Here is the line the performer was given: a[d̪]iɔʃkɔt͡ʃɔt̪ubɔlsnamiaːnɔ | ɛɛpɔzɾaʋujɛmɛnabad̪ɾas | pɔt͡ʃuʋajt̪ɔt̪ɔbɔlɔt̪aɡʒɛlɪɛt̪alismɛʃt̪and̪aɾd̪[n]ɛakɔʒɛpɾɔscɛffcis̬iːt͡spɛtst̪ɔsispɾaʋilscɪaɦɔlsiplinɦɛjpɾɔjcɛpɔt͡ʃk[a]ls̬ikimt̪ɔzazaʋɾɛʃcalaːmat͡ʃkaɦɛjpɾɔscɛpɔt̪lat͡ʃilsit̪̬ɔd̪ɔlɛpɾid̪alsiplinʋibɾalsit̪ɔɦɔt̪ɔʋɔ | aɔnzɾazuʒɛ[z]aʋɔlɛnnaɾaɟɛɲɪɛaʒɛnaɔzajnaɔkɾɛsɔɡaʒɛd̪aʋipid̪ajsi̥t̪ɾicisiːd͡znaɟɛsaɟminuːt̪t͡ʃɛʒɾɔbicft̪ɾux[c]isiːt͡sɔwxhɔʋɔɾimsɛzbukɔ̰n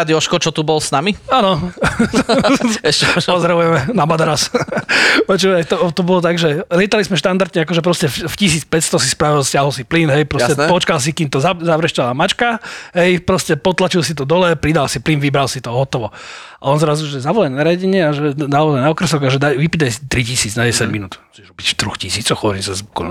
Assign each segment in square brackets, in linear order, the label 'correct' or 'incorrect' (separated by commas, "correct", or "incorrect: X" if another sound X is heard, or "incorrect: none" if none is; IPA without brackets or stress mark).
correct, incorrect: ɲ, correct, correct, correct